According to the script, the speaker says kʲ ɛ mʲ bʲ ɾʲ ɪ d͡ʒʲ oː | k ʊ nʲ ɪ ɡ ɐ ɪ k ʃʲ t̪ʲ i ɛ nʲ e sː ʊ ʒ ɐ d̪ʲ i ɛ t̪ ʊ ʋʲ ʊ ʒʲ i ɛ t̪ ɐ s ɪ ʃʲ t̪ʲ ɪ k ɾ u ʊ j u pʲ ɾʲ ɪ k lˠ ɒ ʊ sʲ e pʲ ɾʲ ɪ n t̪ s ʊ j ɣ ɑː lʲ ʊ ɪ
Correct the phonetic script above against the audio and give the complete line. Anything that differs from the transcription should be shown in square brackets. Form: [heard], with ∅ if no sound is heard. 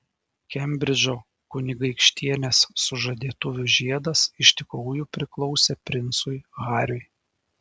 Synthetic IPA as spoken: kʲ ɛ mʲ bʲ ɾʲ ɪ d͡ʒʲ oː | k ʊ nʲ ɪ ɡ ɐ ɪ k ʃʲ t̪ʲ i ɛ nʲ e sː ʊ ʒ ɐ d̪ʲ i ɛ t̪ ʊ ʋʲ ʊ ʒʲ i ɛ [d̪] ɐ s ɪ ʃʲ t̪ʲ ɪ k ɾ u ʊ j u pʲ ɾʲ ɪ k lˠ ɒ ʊ sʲ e pʲ ɾʲ ɪ n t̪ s ʊ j ɣ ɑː [ɾʲ] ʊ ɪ